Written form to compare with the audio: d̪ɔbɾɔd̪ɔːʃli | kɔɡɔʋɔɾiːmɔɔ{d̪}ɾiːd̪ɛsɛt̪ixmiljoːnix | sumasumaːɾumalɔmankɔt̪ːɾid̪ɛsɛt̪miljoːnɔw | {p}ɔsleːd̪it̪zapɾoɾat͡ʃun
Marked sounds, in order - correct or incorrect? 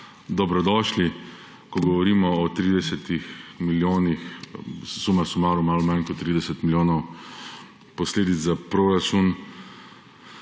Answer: incorrect: t̪, correct

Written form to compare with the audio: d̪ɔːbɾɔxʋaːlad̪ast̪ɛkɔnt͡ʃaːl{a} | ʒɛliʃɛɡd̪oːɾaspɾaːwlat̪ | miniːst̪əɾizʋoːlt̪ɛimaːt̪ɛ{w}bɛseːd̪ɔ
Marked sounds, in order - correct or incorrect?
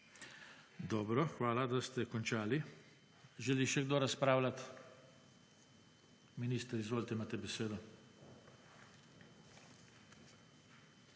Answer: incorrect: i, incorrect: none

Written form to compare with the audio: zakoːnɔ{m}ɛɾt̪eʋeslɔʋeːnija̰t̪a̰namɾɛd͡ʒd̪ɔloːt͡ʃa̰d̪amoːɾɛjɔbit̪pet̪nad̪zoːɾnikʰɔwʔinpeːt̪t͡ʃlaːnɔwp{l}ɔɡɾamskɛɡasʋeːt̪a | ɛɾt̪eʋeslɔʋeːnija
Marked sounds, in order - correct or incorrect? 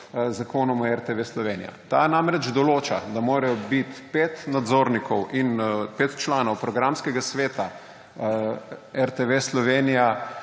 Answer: correct, incorrect: ɾ

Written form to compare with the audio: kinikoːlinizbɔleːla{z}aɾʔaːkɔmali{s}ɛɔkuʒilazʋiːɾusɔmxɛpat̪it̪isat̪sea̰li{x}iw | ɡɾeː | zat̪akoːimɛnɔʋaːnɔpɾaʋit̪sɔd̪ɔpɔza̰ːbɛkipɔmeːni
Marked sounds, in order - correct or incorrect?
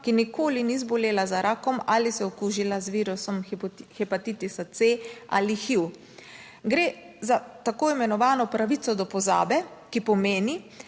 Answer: correct, correct, correct

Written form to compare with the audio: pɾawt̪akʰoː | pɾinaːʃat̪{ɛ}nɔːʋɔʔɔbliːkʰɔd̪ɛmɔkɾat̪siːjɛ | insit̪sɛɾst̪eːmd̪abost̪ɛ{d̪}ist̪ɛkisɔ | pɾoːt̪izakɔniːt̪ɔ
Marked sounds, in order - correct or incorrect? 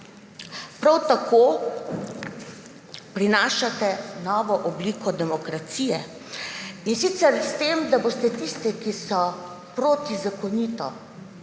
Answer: correct, incorrect: t̪

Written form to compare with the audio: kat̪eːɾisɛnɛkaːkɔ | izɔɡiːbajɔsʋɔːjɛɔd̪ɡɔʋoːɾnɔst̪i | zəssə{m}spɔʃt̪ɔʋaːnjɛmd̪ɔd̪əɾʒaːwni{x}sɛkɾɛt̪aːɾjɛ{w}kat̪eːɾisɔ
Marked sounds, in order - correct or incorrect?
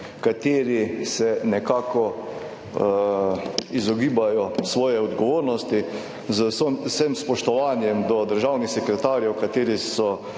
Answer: correct, correct, correct

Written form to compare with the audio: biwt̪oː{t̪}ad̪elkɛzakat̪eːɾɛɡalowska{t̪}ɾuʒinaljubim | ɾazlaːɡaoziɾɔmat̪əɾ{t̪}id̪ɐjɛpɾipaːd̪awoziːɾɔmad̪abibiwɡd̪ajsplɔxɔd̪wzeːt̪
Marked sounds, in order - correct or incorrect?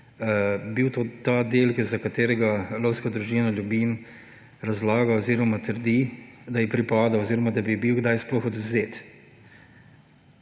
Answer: correct, incorrect: d̪, incorrect: d̪

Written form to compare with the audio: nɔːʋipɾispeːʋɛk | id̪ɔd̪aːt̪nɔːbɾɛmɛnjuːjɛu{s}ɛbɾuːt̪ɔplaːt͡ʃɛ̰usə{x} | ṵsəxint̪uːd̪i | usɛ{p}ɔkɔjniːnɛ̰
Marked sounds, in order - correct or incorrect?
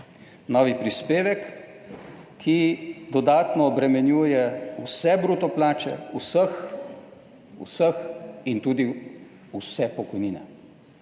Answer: correct, correct, correct

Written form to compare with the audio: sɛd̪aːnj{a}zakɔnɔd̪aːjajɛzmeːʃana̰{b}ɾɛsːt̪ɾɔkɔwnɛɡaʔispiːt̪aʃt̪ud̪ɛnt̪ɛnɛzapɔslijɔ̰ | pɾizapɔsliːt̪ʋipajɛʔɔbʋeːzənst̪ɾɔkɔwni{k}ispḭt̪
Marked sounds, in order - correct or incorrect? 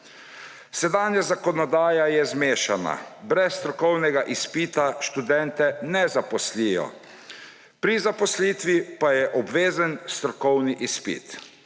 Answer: correct, correct, incorrect: ʔ

